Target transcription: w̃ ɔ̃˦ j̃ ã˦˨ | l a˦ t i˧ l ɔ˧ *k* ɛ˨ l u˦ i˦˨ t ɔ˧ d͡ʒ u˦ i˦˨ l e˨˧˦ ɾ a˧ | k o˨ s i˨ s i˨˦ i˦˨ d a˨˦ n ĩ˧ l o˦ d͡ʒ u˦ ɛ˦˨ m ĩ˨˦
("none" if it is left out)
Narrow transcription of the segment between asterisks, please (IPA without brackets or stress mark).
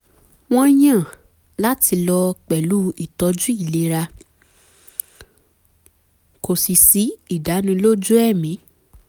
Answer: k͡p